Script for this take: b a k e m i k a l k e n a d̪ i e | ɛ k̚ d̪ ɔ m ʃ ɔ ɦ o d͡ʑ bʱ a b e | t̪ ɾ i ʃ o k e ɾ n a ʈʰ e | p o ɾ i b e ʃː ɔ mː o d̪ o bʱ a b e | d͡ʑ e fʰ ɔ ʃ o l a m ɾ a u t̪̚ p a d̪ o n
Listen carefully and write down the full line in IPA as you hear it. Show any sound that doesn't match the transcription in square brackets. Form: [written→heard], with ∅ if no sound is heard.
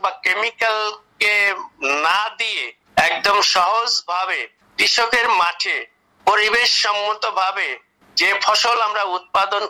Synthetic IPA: b a k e m i k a l k e n a d̪ i e | ɛ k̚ d̪ [ɔ→o] m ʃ ɔ ɦ o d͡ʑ bʱ a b e | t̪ ɾ i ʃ o k e ɾ [n→m] a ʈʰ e | p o ɾ i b e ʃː ɔ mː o [d̪→t̪] o bʱ a b e | d͡ʑ e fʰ ɔ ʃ o l a m ɾ a u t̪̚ p a d̪ o n